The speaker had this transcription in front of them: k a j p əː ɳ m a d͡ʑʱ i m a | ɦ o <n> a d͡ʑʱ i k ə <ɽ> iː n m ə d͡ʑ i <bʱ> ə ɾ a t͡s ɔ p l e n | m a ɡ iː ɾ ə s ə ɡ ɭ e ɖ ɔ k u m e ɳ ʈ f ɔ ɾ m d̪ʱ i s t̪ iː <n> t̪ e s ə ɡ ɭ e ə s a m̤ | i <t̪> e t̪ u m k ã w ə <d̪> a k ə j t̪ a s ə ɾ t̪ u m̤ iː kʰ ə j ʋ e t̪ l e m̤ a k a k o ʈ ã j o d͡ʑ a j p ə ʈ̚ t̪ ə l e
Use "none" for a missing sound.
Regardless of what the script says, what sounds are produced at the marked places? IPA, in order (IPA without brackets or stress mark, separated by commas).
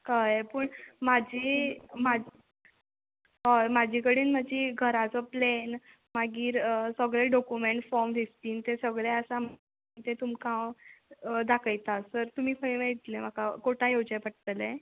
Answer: m, ɽ, ɡʱ, n, t̪, d̪